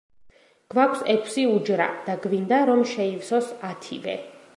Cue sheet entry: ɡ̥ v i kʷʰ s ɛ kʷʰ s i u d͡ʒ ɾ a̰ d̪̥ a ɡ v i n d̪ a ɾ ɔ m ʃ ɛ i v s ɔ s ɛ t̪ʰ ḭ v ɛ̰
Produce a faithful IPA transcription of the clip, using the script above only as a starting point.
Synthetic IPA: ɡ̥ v a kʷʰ s ɛ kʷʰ s i u d͡ʒ ɾ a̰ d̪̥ a ɡ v i n d̪ a ɾ ɔ m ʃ ɛ i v s ɔ s a t̪ʰ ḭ v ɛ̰